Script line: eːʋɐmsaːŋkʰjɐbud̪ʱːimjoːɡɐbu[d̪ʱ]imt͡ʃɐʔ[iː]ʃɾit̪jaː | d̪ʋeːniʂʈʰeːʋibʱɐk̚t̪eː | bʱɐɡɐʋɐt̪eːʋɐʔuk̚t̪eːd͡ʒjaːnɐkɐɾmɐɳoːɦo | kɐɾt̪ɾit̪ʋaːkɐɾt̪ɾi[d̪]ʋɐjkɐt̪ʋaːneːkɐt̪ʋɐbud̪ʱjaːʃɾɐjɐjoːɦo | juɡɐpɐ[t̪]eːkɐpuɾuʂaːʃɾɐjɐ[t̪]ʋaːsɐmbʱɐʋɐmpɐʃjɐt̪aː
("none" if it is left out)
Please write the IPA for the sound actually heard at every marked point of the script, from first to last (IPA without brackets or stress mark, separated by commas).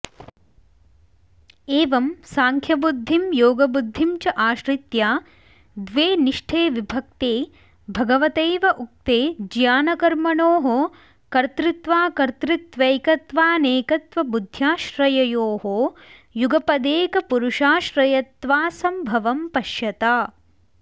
d̪ʱː, aː, t̪, d̪, t̪